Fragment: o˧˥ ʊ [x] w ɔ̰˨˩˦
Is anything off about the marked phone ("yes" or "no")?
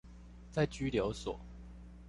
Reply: yes